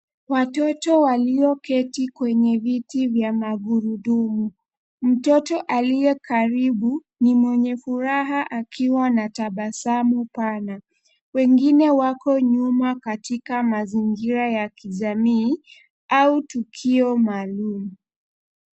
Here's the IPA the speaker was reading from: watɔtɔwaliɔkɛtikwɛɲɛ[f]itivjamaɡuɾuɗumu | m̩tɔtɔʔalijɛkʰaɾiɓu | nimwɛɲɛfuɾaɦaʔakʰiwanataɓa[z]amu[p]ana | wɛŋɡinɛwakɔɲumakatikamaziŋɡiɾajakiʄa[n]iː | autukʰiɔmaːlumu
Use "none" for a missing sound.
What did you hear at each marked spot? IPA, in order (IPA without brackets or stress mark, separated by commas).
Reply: v, s, p, m